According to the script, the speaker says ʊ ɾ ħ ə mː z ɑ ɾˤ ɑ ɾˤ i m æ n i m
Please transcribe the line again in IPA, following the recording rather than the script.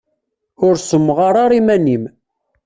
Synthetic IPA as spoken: ʊ ɾ s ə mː ʁ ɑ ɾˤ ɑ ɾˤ i m æ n i m